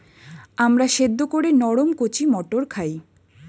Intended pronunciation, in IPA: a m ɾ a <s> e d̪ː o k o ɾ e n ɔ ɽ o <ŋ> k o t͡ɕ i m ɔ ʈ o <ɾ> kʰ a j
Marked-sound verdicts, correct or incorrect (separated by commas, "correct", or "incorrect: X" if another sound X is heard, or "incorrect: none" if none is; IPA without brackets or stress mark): incorrect: ʃ, incorrect: m, correct